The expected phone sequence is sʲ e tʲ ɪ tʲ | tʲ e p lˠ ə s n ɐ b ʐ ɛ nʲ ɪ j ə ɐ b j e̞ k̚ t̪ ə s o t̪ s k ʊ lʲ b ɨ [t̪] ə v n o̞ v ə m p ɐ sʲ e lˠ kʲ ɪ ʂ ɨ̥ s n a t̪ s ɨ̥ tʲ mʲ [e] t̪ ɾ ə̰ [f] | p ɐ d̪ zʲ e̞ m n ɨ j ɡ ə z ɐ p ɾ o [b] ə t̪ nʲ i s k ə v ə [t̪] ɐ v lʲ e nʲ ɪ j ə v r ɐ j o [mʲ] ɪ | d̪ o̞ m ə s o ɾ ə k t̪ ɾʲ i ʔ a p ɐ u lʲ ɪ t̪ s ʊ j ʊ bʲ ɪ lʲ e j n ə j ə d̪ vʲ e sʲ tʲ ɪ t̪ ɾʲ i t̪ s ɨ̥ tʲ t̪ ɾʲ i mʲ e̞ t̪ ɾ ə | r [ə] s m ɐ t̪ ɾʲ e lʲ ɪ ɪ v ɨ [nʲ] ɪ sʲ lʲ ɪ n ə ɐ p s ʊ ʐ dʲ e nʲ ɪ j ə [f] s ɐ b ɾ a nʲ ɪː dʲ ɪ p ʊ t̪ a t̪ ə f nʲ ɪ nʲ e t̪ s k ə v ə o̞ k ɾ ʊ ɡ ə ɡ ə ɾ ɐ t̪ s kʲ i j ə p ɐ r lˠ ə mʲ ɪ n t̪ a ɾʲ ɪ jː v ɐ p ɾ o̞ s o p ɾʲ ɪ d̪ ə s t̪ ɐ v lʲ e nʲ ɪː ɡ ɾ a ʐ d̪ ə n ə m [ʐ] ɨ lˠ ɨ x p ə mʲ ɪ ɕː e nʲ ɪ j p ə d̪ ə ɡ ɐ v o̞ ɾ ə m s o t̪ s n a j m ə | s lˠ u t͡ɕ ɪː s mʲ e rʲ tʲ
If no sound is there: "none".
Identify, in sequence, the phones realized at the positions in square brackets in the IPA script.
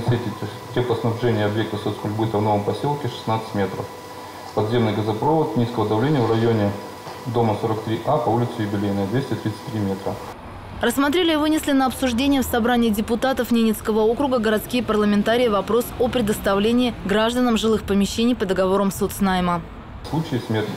t̪, e, f, v, d̪, nʲ, ə, nʲ, f, ʐ

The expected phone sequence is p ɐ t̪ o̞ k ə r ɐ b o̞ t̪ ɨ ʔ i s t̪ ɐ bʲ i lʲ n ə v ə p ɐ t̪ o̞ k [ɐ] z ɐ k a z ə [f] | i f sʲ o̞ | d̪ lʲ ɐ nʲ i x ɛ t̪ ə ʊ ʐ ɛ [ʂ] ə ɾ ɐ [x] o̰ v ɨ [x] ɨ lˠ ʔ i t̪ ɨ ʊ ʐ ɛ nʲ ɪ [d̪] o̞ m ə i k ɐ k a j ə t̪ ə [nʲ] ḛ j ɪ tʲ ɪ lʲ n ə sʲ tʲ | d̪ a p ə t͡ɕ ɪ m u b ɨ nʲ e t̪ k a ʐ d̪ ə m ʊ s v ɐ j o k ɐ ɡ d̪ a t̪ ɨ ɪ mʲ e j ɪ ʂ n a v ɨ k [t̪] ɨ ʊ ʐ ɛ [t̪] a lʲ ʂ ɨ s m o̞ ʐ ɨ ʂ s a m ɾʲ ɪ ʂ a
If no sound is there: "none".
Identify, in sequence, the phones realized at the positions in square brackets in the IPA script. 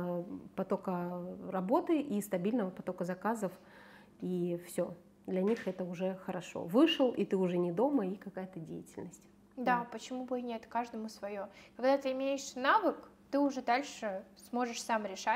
ə, f, x, ʂ, ʂ, d̪, dʲ, t̪, d̪

